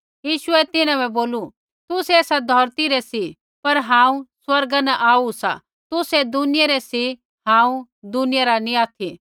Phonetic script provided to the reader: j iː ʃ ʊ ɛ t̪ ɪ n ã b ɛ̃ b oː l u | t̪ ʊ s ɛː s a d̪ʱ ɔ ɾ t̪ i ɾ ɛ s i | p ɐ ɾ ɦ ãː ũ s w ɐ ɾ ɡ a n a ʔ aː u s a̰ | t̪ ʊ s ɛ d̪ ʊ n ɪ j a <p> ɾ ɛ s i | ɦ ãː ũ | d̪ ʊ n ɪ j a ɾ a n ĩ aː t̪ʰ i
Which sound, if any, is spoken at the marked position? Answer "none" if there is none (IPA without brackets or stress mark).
none